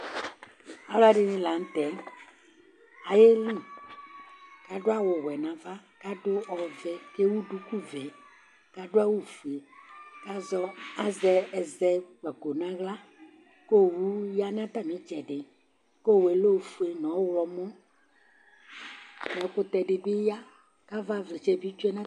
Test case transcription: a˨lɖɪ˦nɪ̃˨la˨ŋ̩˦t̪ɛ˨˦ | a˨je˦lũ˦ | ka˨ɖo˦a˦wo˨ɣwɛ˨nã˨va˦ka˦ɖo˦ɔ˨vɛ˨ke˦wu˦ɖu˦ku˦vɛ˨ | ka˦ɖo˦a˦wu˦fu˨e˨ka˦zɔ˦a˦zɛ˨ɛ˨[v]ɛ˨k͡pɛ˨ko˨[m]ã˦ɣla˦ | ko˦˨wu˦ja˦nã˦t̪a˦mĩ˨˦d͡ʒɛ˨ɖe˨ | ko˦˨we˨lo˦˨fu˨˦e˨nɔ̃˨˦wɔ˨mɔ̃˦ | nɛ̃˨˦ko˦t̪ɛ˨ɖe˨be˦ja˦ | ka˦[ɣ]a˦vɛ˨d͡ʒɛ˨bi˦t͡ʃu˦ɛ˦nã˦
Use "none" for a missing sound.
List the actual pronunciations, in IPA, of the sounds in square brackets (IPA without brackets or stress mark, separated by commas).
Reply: z, n, v